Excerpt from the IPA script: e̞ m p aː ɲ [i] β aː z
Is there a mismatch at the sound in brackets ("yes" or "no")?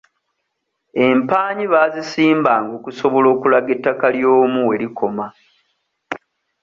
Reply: no